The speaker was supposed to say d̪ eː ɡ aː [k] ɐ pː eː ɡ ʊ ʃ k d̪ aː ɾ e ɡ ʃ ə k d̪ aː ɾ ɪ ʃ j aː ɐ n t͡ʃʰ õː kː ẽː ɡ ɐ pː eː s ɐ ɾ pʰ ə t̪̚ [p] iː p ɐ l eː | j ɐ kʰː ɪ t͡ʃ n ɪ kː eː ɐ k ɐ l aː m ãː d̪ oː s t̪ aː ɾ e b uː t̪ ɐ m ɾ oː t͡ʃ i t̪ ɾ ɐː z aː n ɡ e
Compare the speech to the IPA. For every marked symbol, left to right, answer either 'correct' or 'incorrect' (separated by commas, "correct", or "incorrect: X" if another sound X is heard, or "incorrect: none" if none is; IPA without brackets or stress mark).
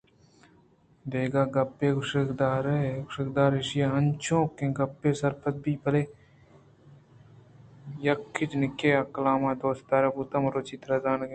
incorrect: ɡ, incorrect: b